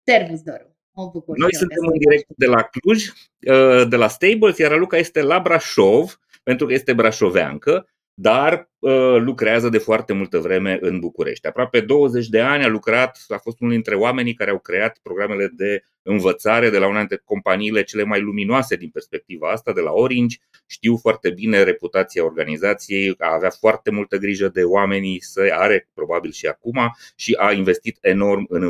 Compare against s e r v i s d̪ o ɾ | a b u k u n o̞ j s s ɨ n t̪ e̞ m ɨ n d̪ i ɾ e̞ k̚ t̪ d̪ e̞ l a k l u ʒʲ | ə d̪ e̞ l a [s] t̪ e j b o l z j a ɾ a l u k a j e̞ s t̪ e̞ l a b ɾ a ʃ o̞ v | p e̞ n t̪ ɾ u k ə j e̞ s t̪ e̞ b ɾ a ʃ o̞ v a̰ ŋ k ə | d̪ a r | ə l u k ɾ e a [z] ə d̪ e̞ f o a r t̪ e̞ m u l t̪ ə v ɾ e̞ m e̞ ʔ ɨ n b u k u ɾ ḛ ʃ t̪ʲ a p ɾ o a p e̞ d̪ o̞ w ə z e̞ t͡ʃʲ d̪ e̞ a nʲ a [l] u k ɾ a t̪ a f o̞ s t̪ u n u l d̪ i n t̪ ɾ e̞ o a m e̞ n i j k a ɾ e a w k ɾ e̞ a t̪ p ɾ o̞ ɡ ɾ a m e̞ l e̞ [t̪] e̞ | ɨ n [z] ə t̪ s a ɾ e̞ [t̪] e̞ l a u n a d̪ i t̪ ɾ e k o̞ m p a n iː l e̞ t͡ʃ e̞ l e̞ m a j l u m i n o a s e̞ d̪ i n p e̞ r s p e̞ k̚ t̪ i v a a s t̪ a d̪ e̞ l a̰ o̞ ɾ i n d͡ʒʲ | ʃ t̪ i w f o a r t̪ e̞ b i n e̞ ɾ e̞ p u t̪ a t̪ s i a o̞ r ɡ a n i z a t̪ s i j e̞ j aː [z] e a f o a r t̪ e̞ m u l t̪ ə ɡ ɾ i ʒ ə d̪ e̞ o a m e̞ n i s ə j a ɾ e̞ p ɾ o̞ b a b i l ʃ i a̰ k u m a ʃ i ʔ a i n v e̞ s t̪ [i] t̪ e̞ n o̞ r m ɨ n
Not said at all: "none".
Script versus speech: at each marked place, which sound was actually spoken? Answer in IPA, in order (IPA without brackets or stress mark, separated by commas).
s, z, l, d̪, v, d̪, v, i